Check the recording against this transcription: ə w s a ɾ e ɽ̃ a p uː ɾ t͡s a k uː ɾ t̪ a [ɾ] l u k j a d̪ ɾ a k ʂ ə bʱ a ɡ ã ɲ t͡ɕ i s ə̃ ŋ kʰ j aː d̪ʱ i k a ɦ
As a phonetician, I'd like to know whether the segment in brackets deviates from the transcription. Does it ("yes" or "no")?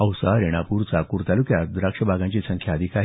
yes